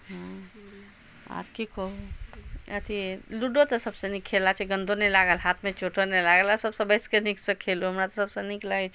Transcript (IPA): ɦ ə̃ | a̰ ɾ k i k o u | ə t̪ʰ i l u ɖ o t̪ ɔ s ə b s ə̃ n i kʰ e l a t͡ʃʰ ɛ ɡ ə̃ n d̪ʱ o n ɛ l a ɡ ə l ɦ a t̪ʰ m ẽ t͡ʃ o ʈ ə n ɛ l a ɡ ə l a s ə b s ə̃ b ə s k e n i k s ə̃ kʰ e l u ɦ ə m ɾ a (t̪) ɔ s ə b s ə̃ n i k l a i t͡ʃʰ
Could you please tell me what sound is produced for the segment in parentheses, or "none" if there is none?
t̪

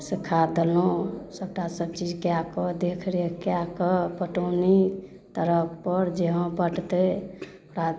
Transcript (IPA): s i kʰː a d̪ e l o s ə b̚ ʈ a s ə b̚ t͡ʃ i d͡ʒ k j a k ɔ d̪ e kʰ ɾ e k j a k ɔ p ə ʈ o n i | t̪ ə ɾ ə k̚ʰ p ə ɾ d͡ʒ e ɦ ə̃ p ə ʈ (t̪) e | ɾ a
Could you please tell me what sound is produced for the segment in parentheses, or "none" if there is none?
t̪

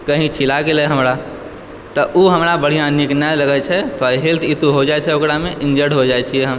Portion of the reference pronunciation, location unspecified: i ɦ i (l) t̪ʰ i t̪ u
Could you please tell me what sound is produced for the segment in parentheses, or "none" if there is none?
l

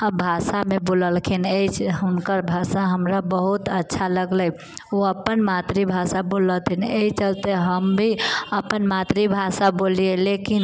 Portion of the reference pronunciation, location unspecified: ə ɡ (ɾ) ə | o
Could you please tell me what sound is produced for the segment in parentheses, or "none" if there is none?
l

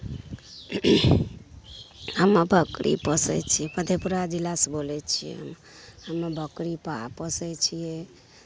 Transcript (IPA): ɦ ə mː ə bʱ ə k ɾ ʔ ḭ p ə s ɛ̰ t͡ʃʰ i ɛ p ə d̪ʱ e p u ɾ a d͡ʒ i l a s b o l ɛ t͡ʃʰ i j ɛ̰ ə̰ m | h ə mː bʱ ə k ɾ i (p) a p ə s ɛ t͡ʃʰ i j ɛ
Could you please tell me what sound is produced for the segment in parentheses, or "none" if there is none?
p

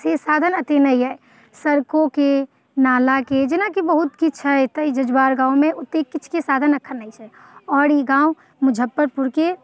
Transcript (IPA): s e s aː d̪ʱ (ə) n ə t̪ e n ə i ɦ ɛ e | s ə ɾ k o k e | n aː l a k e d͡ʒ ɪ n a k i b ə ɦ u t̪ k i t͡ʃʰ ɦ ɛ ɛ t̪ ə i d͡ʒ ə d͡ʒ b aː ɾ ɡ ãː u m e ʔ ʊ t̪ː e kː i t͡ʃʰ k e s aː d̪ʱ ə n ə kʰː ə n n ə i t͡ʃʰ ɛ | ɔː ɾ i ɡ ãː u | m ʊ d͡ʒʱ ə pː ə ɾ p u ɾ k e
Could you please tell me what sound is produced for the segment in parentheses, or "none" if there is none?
ə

